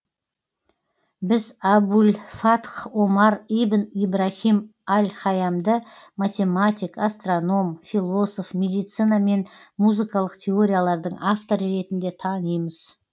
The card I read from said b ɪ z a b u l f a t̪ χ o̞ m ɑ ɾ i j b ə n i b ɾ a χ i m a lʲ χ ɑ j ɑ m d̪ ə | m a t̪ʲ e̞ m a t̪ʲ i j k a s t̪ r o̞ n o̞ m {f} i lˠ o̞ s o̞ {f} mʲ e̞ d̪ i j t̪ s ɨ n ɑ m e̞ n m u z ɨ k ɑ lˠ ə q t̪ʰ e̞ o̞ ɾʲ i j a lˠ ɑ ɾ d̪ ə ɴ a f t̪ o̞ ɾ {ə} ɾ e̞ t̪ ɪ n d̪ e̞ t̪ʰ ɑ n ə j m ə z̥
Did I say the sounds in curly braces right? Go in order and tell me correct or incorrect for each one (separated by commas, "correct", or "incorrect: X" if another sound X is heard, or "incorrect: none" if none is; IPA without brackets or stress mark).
correct, correct, correct